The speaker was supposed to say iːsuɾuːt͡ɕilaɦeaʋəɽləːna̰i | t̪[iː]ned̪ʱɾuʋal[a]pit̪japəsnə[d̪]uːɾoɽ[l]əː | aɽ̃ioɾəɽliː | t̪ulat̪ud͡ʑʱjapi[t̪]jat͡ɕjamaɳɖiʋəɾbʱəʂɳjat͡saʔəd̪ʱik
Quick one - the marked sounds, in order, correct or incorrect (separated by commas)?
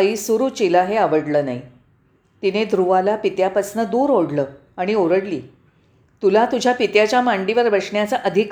incorrect, correct, correct, correct, correct